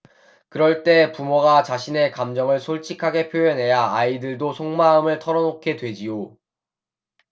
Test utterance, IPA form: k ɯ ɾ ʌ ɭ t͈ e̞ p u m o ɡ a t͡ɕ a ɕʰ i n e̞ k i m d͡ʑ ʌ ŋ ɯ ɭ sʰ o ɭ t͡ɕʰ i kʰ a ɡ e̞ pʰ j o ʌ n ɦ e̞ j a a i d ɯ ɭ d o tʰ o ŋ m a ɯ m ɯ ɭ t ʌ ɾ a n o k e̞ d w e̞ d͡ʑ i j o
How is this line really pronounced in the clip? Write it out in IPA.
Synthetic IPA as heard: k ɯ ɾ ʌ ɭ t͈ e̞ p u m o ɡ a t͡ɕ a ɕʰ i n e̞ k a m d͡ʑ ʌ ŋ ɯ ɭ sʰ o ɭ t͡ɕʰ i kʰ a ɡ e̞ pʰ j o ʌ n ɦ e̞ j a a i d ɯ ɭ d o sʰ o ŋ m a ɯ m ɯ ɭ tʰ ʌ ɾ ʌ n o kʰ e̞ d w e̞ d͡ʑ i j o